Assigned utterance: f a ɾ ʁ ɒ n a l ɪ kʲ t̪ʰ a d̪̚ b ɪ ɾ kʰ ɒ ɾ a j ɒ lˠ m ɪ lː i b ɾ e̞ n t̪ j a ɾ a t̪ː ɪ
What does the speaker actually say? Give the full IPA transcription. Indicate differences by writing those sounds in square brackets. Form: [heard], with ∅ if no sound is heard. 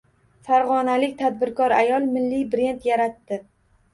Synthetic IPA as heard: f a ɾ ʁ ɒ n a l ɪ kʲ t̪ʰ a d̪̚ b ɪ ɾ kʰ ɒ ɾ a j ɒ lˠ m ɪ lː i b ɾ e̞ n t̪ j a ɾ a t̪ː ɪ